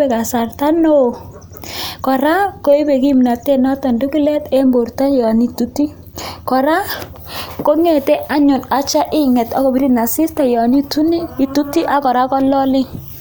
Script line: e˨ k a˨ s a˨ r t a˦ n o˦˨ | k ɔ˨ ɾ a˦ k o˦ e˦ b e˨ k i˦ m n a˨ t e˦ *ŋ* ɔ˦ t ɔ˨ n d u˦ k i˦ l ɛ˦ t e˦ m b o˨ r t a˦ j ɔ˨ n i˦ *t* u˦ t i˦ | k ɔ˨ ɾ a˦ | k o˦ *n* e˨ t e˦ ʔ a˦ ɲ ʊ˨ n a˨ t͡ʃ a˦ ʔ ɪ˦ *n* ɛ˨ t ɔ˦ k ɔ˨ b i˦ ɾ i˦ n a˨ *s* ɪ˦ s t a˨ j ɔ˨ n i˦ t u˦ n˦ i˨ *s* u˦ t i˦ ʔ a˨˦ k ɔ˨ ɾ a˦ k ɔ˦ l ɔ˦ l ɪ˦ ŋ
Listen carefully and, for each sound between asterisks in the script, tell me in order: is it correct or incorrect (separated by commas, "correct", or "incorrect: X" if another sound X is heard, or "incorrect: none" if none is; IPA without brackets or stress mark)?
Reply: incorrect: n, correct, incorrect: ŋ, incorrect: ŋ, correct, incorrect: t